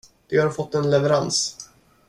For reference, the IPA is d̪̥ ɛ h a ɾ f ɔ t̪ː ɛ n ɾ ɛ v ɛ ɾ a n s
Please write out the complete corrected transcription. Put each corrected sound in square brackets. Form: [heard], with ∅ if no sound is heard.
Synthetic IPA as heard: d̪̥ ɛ h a ɾ f ɔ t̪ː ɛ n [l] ɛ v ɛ ɾ a n s